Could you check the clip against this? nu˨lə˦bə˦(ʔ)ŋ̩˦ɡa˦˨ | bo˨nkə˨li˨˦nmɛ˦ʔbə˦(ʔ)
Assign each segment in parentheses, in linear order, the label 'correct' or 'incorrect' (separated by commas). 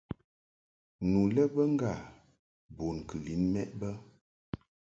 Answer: incorrect, incorrect